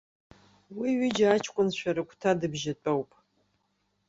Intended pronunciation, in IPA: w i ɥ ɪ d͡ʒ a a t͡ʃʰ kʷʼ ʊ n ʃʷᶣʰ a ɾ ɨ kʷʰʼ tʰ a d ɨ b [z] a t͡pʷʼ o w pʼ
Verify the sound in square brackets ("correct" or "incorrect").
incorrect